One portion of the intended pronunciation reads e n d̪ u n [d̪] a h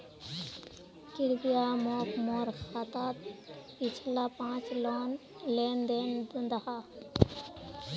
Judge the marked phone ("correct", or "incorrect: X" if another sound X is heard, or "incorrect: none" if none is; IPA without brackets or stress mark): correct